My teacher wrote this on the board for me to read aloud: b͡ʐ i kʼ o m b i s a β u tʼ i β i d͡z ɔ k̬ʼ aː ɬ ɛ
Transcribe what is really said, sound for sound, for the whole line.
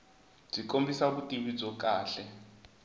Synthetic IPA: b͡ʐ i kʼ o m b i s a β u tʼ i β i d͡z ɔ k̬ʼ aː ɬ ɛ